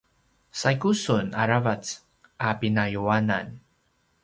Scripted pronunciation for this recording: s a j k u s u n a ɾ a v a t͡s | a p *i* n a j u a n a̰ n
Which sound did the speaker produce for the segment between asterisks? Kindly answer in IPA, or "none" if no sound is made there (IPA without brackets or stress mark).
i